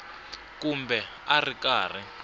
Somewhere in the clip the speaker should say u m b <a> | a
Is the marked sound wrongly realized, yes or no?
yes